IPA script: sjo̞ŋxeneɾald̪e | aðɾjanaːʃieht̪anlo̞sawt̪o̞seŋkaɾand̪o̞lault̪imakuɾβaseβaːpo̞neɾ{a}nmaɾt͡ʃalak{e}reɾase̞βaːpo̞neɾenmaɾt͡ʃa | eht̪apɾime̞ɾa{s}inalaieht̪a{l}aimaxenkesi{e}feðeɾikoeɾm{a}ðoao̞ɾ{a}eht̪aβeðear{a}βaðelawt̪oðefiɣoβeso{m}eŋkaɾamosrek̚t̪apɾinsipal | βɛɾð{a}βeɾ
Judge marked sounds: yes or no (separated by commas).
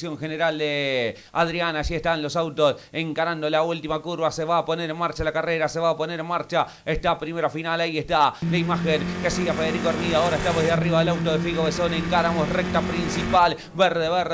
no, no, no, yes, no, no, yes, no, no, no